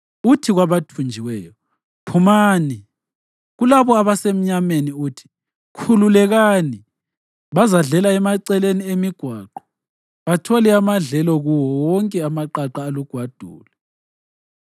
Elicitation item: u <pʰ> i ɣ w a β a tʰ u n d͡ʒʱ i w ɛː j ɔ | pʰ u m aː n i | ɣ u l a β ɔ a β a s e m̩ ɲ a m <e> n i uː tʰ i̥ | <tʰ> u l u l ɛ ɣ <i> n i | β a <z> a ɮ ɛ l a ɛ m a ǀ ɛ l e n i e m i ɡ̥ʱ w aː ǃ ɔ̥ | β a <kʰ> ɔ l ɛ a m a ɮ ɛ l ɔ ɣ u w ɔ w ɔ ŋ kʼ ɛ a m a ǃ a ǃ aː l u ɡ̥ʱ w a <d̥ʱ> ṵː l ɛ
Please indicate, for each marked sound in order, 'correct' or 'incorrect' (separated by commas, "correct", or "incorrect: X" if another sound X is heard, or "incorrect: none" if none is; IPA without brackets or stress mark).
incorrect: tʰ, correct, incorrect: kʰ, incorrect: a, correct, incorrect: tʰ, correct